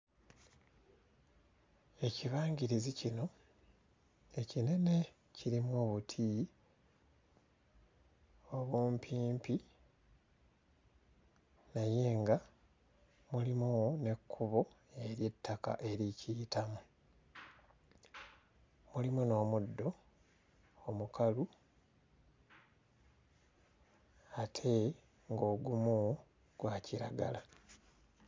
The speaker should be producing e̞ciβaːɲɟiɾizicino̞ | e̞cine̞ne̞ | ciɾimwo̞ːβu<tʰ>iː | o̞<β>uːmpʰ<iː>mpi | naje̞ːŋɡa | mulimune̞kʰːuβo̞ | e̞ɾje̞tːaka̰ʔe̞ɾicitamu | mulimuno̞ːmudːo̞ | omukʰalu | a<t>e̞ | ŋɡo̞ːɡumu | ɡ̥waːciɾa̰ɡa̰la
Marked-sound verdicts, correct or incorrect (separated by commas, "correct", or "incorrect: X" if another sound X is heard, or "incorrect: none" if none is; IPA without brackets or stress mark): correct, correct, correct, incorrect: tʰ